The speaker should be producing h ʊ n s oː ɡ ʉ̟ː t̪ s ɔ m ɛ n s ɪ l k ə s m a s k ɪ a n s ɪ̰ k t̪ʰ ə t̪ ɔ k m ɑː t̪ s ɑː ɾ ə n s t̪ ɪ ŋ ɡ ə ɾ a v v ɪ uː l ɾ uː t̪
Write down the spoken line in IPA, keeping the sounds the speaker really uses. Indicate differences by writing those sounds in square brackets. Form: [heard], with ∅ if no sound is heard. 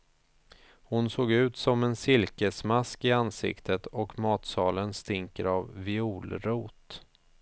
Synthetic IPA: h ʊ n s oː ɡ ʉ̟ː t̪ s ɔ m ɛ n s ɪ l k ə s m a s k ɪ a n s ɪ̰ k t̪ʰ ə t̪ ɔ k m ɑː t̪ s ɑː [l] ə n s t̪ ɪ ŋ [k] ə ɾ a v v ɪ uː l ɾ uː t̪